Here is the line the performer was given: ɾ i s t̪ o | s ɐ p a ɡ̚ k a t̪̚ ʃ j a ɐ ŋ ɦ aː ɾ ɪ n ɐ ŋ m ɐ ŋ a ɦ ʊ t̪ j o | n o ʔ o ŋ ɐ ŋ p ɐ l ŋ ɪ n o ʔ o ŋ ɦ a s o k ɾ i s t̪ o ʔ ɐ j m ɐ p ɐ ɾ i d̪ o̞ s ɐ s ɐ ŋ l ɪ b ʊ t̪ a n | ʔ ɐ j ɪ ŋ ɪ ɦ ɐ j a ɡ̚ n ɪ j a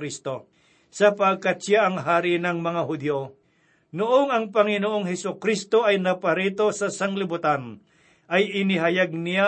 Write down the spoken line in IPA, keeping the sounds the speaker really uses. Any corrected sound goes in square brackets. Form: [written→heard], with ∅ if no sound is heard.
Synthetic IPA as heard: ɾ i s t̪ o | s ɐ p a ɡ̚ k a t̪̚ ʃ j a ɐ ŋ ɦ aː ɾ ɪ n ɐ ŋ m ɐ ŋ a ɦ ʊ [t̪→d̪] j o | n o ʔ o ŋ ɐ ŋ p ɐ [l→∅] ŋ ɪ n o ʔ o ŋ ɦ [a→ɛ] s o k ɾ i s t̪ o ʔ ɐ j [m→n] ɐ p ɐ ɾ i [d̪→t̪] o̞ s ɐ s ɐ ŋ l ɪ b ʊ t̪ a n | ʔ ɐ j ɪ [ŋ→n] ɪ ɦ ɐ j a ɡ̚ n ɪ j a